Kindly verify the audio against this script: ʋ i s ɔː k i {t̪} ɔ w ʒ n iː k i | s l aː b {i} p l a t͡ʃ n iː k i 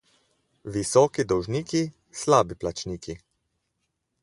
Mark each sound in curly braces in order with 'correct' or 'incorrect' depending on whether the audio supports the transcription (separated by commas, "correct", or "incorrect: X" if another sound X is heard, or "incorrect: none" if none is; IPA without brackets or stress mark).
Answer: incorrect: d̪, correct